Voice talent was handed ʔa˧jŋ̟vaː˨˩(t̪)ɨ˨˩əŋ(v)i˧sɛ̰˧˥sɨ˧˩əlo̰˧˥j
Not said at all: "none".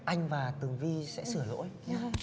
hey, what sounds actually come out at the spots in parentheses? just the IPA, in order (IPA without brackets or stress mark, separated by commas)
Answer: t̪, v